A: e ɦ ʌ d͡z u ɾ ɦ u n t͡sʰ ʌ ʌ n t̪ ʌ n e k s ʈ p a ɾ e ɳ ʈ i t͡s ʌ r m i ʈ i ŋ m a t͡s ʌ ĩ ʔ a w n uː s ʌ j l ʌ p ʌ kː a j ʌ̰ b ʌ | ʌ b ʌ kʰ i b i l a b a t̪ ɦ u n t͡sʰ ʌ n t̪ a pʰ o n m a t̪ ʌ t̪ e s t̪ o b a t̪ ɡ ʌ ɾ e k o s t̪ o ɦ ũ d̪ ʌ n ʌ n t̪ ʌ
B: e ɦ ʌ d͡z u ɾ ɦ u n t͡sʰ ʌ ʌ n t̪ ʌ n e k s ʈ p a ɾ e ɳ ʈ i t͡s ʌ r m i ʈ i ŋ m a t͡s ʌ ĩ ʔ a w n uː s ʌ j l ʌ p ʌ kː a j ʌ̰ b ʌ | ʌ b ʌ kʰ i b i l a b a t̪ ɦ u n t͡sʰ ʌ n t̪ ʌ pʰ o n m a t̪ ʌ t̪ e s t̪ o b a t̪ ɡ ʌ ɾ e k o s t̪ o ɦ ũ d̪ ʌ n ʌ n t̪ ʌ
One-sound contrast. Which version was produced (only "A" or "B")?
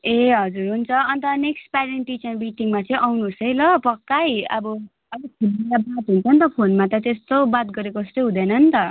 B